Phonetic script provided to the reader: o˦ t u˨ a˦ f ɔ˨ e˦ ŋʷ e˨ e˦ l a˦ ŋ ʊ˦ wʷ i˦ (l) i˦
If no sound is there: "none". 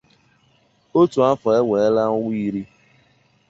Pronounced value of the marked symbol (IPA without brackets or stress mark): ɾ